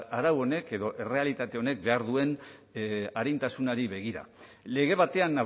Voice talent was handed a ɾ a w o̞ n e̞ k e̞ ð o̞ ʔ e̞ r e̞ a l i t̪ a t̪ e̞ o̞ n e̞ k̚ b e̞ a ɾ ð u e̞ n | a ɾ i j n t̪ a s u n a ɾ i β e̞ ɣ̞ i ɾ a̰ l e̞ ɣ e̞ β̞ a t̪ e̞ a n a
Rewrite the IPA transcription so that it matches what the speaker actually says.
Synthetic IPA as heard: a ɾ a w o̞ n e̞ k e̞ ð o̞ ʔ e̞ r e̞ a l i t̪ a t̪ e̞ o̞ n e̞ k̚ b e̞ a ɾ ð u e̞ n | a ɾ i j n t̪ a s u n a ɾ i β e̞ ɣ̞ i ɾ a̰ l e̞ ɣ e̞ β̞ a t̪ e̞ a n a